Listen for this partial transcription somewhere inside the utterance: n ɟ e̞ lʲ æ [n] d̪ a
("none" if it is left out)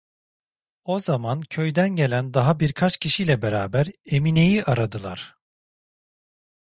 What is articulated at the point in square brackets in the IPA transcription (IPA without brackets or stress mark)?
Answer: n